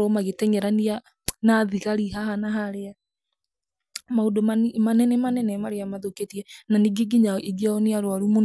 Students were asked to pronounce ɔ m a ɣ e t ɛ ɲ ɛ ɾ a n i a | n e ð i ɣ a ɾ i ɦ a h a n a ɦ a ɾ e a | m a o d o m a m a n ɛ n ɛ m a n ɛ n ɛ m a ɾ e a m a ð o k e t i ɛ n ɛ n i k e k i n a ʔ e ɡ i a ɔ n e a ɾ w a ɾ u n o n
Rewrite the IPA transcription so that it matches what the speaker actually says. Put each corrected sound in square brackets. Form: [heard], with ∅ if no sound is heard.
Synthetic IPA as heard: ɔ m a ɣ e t ɛ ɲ ɛ ɾ a n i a | n [a] ð i ɣ a ɾ i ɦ a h a n a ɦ a ɾ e a | m a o d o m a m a n ɛ n ɛ m a n ɛ n ɛ m a ɾ e a m a ð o k e t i ɛ n [a] n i [ɡ] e [ɡ] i [ɲ] a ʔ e ɡ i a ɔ n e a ɾ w a ɾ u [m] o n